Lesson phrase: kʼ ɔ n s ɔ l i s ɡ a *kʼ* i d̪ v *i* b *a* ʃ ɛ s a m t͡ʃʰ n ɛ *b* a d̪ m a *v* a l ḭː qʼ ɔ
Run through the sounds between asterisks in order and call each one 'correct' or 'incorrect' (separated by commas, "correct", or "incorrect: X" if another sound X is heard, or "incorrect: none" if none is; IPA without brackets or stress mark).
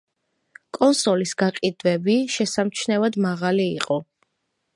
incorrect: qʼ, incorrect: ɛ, incorrect: i, incorrect: v, incorrect: ʁ